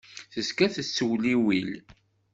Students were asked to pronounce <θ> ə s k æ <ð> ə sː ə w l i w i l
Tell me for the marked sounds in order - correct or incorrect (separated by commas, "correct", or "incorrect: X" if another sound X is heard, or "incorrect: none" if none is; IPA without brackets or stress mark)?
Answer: correct, incorrect: θ